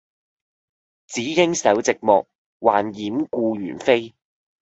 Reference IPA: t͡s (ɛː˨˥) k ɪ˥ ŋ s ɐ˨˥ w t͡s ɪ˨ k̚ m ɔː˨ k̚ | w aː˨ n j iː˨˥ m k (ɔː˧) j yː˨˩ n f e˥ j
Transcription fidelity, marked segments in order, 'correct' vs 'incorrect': incorrect: iː˨˥, incorrect: uː˧

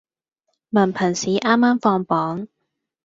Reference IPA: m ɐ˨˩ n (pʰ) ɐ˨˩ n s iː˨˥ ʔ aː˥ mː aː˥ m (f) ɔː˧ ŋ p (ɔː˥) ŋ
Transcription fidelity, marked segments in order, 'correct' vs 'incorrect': correct, correct, incorrect: ɔː˨˥

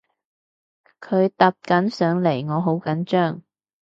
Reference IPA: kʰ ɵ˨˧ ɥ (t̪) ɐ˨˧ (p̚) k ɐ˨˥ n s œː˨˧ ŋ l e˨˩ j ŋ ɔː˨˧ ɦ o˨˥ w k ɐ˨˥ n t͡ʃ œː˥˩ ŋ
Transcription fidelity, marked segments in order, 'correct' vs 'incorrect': correct, correct

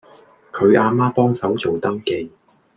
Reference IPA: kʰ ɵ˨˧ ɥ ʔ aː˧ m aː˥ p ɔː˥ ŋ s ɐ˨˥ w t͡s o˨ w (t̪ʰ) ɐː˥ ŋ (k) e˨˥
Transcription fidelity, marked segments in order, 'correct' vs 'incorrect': incorrect: t̪, correct

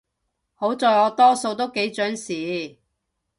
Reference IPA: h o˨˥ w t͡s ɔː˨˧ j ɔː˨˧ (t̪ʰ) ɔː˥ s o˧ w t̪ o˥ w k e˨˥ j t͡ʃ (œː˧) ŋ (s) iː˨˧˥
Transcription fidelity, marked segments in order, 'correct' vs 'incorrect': incorrect: t̪, incorrect: œː˨˥, correct

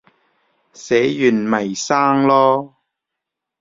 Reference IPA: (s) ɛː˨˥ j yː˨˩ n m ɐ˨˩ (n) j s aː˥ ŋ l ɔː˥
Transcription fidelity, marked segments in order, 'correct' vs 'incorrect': correct, incorrect: none

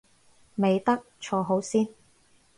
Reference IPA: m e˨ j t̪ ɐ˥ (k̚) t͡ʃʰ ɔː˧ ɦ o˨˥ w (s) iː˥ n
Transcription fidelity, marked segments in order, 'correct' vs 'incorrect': correct, correct

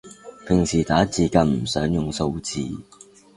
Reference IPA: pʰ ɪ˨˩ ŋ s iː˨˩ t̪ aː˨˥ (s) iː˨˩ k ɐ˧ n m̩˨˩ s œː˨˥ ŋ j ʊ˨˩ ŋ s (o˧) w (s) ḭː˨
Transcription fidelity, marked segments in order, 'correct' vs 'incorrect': incorrect: t͡s, correct, incorrect: t͡s

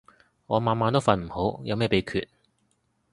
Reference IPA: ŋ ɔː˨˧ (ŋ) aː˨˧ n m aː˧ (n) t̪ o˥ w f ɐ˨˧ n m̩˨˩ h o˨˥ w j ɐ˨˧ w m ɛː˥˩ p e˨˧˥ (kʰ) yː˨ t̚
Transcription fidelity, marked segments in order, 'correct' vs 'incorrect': incorrect: m, correct, correct

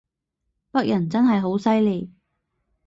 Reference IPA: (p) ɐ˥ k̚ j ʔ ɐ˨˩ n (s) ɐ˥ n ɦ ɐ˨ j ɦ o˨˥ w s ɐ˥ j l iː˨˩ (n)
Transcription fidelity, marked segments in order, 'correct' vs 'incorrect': correct, incorrect: t͡s, incorrect: none

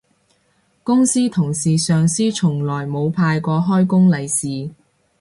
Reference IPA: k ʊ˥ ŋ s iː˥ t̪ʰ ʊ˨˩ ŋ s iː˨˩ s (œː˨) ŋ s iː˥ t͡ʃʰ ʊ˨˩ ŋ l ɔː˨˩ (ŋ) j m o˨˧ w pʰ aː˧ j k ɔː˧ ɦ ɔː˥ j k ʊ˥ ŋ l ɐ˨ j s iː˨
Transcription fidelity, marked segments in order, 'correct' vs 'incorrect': correct, incorrect: none

